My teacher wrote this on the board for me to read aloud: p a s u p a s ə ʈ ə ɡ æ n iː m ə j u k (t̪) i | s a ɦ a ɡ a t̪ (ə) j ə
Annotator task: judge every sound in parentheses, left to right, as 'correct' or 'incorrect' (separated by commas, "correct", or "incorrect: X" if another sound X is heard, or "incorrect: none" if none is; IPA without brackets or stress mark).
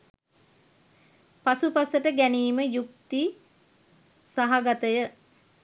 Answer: correct, correct